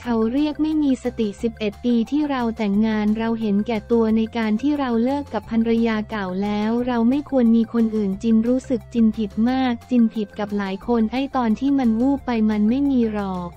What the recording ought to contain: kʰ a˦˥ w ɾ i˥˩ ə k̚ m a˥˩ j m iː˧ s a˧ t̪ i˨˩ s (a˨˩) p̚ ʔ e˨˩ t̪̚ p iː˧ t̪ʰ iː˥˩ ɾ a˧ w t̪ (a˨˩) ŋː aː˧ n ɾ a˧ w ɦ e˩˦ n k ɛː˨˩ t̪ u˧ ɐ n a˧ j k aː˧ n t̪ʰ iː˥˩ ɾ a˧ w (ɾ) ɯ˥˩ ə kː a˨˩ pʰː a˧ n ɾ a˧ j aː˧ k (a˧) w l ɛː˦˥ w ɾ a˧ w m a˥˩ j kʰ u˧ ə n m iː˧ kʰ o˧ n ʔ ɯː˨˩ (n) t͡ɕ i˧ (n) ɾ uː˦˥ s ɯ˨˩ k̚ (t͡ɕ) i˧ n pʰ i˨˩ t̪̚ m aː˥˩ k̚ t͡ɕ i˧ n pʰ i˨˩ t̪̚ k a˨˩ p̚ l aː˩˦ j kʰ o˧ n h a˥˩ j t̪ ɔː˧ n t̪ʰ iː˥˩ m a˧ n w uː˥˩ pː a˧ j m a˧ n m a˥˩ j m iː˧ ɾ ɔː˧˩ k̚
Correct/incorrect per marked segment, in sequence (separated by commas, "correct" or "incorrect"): incorrect, incorrect, incorrect, incorrect, correct, correct, correct